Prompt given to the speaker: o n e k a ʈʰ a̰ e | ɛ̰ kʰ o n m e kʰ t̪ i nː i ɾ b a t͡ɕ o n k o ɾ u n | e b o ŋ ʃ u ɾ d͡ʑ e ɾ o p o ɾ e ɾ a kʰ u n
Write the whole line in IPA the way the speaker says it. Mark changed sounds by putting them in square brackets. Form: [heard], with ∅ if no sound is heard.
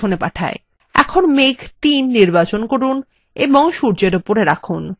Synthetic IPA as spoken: o n e [p] a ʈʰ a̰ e | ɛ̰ kʰ o n m e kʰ t̪ i nː i ɾ b a t͡ɕ o n k o ɾ u n | e b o ŋ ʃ u ɾ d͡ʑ e ɾ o p o ɾ e ɾ a kʰ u n